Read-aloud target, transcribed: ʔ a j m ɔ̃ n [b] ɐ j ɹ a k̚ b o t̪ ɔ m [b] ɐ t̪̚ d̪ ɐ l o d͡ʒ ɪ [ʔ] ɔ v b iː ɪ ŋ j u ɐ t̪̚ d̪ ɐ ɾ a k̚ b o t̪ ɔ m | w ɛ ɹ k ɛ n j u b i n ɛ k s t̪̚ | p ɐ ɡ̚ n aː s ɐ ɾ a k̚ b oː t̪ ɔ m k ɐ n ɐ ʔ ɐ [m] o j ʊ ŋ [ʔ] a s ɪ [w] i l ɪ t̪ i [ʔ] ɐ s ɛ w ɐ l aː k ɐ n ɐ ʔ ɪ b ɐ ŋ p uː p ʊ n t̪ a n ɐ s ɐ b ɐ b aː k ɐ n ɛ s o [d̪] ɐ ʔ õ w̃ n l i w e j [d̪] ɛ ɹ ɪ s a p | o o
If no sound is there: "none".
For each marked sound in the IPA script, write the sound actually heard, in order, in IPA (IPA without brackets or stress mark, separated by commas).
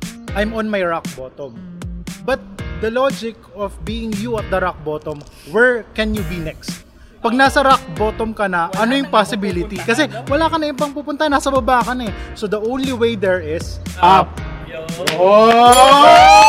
m, b, k, n, p, b, k, d̪, d̪